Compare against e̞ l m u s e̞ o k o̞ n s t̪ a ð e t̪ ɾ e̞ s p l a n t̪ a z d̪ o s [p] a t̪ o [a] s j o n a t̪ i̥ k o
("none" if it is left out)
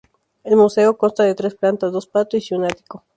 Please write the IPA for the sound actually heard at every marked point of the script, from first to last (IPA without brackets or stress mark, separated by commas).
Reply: p, i